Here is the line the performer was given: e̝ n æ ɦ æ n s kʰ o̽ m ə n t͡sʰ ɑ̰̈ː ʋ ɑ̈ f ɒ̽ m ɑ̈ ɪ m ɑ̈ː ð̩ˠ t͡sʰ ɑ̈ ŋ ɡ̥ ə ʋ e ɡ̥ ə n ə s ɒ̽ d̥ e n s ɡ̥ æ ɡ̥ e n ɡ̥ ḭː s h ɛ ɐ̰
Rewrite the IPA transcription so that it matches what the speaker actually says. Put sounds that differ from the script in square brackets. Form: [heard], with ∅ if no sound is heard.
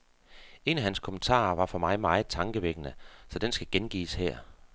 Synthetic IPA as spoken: e̝ n æ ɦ æ n s kʰ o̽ m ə n t͡sʰ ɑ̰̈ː ʋ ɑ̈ f ɒ̽ m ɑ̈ ɪ m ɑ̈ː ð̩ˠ t͡sʰ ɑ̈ ŋ ɡ̥ ə ʋ e ɡ̥ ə n ə s ɒ̽ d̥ e n s ɡ̥ æ ɡ̥ e n ɡ̥ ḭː s h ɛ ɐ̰

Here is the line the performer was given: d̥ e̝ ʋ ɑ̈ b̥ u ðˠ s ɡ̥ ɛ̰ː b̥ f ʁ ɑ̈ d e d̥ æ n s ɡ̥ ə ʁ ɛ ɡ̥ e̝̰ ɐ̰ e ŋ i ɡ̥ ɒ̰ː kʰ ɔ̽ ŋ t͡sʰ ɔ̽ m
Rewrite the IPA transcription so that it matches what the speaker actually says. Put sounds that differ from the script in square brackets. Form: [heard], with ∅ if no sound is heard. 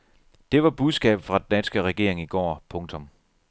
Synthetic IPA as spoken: d̥ e̝ ʋ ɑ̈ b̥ u ðˠ s ɡ̥ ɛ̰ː b̥ f ʁ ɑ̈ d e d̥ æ n s ɡ̥ ə ʁ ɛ ɡ̥ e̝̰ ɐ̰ e ŋ i ɡ̥ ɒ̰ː [pʰ] ɔ̽ ŋ t͡sʰ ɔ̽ m

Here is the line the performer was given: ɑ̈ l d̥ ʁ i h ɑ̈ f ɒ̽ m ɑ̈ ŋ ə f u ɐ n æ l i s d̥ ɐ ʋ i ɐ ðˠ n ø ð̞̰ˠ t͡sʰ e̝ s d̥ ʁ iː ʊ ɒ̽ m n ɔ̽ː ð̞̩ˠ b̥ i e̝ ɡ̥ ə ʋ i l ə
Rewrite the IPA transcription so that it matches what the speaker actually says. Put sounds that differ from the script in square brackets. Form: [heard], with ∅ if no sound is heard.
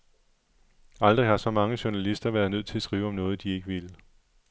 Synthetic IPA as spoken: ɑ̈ l d̥ ʁ i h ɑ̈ [s] ɒ̽ m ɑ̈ ŋ ə [ɕ] u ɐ n æ l i s d̥ ɐ ʋ [æ] ɐ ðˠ n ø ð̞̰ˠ t͡sʰ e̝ s [ɡ̥] ʁ iː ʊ ɒ̽ m n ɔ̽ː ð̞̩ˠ [d̥] i e̝ ɡ̥ ə ʋ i l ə

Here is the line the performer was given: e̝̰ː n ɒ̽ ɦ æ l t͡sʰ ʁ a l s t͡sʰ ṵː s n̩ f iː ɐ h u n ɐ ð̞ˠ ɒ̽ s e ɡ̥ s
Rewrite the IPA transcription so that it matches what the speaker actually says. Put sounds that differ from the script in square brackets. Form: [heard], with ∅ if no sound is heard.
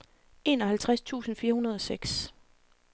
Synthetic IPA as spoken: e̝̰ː n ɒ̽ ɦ æ l t͡sʰ ʁ a [∅] s t͡sʰ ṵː s n̩ f iː ɐ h u n ɐ ð̞ˠ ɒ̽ s e ɡ̥ s

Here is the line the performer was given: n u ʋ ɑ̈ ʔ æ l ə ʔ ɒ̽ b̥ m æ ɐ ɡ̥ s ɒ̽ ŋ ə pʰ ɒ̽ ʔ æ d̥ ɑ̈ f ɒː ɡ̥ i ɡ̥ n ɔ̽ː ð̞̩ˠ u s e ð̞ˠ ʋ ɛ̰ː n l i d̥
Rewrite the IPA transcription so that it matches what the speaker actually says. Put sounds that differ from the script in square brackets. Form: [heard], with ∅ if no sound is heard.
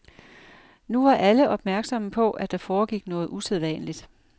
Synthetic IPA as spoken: n u ʋ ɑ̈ ʔ æ l ə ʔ ɒ̽ b̥ m æ ɐ ɡ̥ s ɒ̽ [m] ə pʰ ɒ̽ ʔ æ d̥ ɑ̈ f ɒː ɡ̥ i ɡ̥ n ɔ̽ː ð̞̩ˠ u s e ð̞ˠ ʋ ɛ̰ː n l i d̥

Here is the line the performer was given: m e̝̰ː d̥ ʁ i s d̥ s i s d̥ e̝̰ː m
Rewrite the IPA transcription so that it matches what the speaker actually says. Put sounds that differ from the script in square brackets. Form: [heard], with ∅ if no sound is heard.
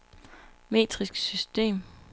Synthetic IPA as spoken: m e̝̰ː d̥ ʁ i s [ɡ̥] s [y] s d̥ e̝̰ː m

